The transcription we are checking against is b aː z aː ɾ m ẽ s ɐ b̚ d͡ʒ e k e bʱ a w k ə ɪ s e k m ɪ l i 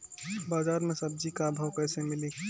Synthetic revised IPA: b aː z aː ɾ m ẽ s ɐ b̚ d͡ʒ i k a bʱ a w k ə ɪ s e m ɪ l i